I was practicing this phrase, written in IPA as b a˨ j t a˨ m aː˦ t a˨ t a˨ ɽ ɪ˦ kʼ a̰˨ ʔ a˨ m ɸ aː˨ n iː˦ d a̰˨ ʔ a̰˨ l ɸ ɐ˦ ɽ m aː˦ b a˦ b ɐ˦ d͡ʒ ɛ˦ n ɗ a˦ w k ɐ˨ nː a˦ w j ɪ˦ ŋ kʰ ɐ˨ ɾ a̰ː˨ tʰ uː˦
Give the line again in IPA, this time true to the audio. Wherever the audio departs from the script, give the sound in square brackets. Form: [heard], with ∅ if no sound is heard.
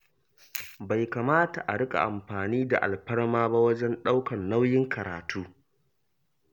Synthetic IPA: b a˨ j [k] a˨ m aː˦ t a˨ [ʔ] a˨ ɽ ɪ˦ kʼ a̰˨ ʔ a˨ m ɸ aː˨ n iː˦ d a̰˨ ʔ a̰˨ l ɸ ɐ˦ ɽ m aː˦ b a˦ [w] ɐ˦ d͡ʒ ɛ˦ n ɗ a˦ w k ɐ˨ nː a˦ w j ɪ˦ ŋ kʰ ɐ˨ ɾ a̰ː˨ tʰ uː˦